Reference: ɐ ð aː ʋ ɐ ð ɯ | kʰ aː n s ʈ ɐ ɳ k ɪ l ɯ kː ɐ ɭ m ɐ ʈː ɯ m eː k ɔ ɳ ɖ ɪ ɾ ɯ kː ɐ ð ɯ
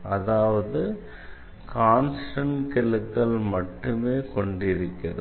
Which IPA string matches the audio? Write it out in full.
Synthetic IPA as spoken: ɐ ð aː ʋ ɐ ð ɯ | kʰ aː n s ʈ ɐ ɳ k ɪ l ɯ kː ɐ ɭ m ɐ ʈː ɯ m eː k ɔ ɳ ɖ ɪ ɾ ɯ kː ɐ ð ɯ